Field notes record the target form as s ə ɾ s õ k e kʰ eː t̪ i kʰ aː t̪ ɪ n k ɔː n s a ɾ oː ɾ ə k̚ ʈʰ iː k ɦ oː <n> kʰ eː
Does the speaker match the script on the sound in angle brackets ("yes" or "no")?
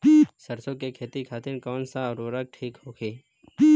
no